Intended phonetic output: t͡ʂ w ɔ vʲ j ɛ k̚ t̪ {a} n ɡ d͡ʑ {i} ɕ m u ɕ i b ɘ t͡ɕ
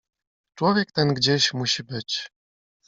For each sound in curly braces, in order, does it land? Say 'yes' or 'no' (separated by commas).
no, no